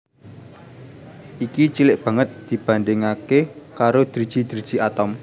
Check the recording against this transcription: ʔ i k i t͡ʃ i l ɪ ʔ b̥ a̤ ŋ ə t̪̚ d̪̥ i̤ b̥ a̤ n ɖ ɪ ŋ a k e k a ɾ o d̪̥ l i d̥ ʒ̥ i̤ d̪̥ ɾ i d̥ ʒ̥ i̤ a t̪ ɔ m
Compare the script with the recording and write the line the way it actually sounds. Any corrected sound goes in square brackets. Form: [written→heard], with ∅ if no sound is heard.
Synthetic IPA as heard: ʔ i k i t͡ʃ i l ɪ ʔ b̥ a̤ ŋ ə t̪̚ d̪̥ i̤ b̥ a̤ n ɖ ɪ ŋ a k e k a ɾ o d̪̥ [l→ɾ] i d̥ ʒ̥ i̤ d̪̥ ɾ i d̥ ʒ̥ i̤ a t̪ ɔ m